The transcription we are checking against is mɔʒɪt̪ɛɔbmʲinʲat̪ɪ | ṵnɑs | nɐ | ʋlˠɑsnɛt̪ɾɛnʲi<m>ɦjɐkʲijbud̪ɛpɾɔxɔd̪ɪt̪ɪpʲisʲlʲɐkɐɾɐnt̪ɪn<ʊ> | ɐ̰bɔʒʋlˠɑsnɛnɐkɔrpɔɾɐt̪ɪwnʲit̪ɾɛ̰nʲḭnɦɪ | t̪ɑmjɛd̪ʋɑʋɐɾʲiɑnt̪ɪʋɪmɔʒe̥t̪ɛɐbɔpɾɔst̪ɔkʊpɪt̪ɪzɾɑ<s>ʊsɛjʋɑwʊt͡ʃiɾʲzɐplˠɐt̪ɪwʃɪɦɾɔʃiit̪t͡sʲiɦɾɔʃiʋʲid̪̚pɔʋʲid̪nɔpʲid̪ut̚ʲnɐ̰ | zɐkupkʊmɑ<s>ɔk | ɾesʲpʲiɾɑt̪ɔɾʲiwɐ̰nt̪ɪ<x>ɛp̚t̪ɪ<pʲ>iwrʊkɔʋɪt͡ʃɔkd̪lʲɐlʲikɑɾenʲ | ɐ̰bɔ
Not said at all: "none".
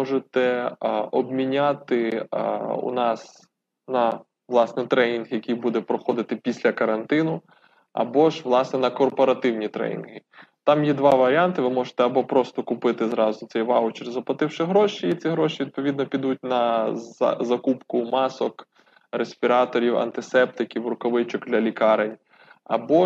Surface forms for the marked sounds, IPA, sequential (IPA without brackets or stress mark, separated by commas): n, ʊ, z, s, s, kʲ